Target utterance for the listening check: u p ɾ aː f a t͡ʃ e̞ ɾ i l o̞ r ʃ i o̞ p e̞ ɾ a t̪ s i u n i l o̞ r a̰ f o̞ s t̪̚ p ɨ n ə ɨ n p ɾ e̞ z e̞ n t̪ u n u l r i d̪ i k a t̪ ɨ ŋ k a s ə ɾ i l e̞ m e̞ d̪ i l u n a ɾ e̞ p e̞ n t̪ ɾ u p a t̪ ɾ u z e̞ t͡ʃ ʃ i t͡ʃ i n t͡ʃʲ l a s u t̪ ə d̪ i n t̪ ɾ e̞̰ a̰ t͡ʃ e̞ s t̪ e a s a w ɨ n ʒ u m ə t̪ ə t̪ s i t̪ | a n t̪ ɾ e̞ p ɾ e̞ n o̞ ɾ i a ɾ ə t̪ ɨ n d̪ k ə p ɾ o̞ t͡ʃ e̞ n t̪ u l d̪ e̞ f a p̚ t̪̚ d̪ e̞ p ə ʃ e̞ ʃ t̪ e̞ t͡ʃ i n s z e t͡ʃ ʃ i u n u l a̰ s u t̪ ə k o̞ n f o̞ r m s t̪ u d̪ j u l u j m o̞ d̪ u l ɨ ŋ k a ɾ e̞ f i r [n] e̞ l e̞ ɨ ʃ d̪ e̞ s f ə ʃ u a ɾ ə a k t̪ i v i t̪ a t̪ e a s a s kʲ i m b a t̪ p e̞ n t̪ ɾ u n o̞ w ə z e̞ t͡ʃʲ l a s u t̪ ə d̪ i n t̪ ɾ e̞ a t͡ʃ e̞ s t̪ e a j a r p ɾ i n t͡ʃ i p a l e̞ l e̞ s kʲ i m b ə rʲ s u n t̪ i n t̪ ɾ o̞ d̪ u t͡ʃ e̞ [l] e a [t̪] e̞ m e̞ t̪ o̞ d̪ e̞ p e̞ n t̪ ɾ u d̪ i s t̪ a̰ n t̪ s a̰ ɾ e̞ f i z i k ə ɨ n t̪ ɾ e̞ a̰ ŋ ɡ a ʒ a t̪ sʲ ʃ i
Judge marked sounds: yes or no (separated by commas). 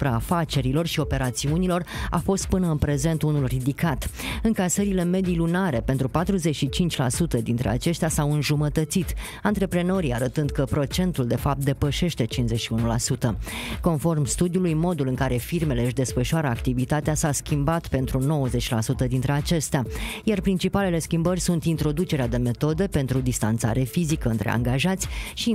no, no, no